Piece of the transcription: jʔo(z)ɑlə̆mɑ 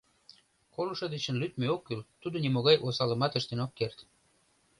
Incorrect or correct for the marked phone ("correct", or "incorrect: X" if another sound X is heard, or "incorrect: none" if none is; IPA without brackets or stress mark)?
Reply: incorrect: s